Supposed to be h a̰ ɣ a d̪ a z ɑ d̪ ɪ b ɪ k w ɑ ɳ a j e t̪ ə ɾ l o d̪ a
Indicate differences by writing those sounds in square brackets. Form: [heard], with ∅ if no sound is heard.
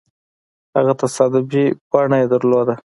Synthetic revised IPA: h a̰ ɣ a [t̪] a [s] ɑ d̪ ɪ b [i] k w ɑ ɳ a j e [d̪] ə ɾ l o d̪ a